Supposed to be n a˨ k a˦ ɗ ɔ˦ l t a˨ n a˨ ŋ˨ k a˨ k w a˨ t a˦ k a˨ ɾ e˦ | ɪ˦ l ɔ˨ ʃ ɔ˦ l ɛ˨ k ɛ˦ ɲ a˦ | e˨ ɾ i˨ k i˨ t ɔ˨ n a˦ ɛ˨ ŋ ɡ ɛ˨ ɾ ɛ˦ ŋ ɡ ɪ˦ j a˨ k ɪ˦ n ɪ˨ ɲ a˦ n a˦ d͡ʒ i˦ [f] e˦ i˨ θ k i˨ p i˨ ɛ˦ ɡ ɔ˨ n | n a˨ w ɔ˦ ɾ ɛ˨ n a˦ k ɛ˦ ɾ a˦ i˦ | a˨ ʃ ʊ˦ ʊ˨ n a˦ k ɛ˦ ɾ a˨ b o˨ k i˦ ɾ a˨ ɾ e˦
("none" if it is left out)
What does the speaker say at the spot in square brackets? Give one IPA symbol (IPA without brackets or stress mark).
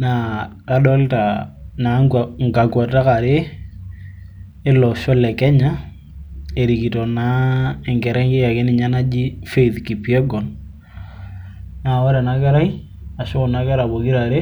f